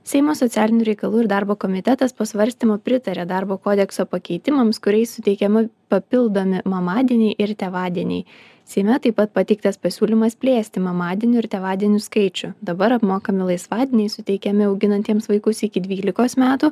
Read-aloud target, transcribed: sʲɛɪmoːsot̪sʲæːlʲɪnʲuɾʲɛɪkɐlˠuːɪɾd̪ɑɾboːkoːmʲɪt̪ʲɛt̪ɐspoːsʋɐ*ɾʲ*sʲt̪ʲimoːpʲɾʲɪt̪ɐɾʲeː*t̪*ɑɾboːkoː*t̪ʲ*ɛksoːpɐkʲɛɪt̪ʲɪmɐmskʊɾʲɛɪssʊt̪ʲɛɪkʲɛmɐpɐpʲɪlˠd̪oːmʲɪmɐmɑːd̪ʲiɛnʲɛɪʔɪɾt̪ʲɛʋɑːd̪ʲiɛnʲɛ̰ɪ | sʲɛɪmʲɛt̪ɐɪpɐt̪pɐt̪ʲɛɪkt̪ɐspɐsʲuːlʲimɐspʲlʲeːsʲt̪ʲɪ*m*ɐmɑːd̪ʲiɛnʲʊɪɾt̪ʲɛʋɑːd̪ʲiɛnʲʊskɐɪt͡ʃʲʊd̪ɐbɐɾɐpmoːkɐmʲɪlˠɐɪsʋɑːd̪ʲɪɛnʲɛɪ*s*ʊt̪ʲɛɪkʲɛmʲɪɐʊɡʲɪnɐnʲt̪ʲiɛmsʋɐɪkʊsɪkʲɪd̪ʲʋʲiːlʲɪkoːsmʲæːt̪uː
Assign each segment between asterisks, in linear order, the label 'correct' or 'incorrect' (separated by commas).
correct, incorrect, incorrect, correct, correct